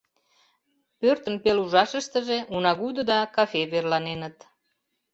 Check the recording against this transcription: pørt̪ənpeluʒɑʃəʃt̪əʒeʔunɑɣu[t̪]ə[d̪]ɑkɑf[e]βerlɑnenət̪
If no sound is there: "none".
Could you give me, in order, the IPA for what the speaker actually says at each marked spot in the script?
d̪, d̪, e

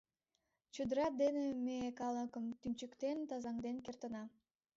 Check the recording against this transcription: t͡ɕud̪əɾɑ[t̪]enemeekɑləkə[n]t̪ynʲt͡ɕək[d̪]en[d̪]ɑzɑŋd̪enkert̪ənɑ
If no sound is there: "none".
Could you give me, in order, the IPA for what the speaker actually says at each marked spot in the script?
d̪, m, t̪, t̪

